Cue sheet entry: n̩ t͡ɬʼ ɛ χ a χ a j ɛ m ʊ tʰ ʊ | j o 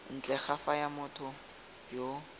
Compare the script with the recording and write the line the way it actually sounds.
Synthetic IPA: n̩ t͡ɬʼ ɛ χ a f a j a m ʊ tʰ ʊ | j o